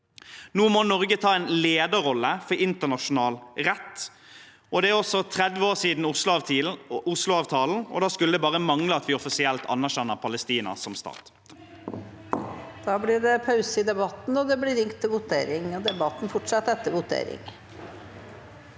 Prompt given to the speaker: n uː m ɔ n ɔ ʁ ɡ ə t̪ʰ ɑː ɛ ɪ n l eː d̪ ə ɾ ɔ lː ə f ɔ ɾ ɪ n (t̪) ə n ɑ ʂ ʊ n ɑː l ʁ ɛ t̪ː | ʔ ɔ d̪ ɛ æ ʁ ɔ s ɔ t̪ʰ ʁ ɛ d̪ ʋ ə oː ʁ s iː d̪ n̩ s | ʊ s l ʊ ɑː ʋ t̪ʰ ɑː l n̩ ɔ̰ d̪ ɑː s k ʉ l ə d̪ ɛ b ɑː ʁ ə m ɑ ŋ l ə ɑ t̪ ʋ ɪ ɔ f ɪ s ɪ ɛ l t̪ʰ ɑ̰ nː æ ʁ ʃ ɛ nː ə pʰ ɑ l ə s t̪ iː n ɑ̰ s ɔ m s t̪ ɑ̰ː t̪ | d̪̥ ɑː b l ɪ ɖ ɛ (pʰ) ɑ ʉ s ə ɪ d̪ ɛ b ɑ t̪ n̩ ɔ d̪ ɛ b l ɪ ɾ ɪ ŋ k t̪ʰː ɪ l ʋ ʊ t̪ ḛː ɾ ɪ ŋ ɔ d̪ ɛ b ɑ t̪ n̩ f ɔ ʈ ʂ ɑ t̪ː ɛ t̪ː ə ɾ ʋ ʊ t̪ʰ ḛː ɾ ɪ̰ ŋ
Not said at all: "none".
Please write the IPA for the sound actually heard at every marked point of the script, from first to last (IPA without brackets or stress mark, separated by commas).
t̪, pʰ